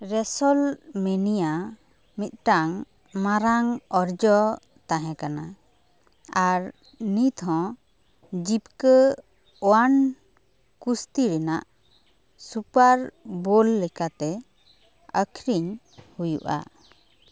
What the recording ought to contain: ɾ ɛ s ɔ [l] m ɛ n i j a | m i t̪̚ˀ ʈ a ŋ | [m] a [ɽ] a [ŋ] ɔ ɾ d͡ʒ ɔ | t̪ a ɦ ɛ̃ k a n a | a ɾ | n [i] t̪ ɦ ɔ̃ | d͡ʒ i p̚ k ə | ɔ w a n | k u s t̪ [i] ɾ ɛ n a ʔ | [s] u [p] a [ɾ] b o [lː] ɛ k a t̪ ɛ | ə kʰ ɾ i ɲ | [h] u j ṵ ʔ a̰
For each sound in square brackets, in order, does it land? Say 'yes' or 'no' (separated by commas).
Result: yes, yes, no, yes, yes, yes, yes, yes, yes, yes, yes